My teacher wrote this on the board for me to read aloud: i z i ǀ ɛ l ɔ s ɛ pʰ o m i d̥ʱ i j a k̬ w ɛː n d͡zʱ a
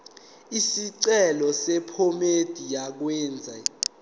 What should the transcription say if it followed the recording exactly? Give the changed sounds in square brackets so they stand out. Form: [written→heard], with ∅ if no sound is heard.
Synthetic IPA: i [z→s] i ǀ ɛ l ɔ s ɛ pʰ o m [i→e] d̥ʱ i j a k̬ w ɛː n d͡zʱ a